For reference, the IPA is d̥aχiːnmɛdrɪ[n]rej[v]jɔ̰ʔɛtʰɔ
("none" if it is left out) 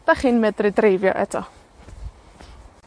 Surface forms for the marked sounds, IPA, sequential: d, v

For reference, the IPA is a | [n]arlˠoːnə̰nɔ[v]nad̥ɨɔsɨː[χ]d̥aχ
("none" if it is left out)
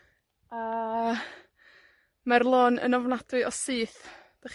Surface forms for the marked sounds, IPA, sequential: m, v, θ

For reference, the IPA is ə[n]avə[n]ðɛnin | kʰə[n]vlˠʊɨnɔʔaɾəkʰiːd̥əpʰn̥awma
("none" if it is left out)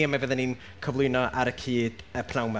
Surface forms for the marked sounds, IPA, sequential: m, none, none

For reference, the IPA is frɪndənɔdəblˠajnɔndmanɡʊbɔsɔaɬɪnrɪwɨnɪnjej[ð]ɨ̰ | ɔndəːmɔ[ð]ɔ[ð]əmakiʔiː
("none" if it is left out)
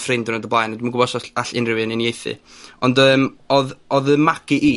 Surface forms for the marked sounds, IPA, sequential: θ, ð, ð

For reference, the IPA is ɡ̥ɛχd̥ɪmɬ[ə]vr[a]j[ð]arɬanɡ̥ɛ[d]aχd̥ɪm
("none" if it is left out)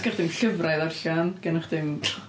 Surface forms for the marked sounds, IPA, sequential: ə, a, ð, n

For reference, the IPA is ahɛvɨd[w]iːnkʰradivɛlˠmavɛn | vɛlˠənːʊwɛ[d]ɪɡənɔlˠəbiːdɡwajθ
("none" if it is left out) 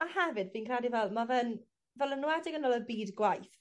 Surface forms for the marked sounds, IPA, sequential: b, d

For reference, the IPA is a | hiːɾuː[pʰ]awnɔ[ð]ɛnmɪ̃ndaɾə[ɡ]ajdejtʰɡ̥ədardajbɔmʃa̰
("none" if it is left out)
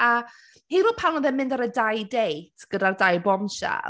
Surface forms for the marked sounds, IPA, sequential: pʰ, ð, d

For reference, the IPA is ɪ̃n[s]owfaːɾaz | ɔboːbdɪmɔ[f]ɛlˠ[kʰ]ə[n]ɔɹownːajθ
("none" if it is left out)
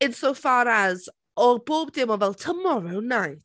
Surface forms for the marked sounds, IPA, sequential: s, v, tʰ, m

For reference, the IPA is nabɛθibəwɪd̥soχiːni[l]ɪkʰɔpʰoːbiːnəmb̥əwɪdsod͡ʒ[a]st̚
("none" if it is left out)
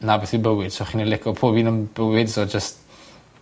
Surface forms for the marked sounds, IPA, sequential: l, ə

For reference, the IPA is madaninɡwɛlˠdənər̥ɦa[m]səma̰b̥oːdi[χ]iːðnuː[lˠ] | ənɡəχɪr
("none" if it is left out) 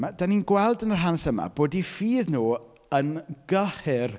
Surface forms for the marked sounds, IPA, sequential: n, f, none

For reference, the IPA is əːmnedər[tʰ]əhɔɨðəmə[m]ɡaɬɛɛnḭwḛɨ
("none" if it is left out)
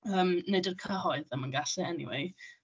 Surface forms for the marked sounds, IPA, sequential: kʰ, n

